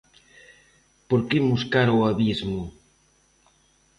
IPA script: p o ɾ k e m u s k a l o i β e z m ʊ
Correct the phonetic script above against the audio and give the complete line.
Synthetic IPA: p o ɾ k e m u s k a ɾ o a β i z m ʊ